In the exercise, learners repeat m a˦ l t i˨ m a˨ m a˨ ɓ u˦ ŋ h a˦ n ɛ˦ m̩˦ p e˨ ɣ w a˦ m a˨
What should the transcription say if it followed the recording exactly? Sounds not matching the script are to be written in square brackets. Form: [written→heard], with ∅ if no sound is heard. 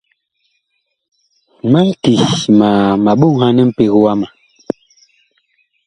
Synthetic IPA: m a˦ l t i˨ m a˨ m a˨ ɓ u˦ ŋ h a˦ n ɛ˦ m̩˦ p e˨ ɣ w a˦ m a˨